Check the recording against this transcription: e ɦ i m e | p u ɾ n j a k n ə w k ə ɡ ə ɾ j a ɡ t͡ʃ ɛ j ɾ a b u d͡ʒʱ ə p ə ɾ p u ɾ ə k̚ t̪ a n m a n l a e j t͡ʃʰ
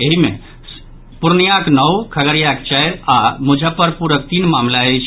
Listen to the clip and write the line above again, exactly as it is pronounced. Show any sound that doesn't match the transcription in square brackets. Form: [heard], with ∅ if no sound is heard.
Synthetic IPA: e ɦ i m e | p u ɾ n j a k n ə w [kʰ] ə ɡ ə ɾ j a [k] t͡ʃ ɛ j ɾ a [m] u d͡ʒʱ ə p ə ɾ p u ɾ ə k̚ t̪ [i] n m a [m] l a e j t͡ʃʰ